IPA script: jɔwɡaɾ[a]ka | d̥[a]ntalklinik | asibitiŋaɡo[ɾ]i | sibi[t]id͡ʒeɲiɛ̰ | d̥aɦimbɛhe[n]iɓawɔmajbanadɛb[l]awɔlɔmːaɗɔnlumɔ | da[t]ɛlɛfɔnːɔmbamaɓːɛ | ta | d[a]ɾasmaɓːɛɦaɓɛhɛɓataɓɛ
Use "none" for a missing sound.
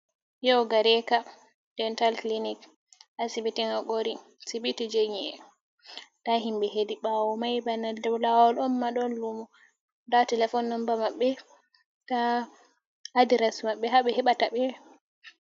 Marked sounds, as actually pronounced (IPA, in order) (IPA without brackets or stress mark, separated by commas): ɛ, ɛ, ɾ, t, d, l, t, i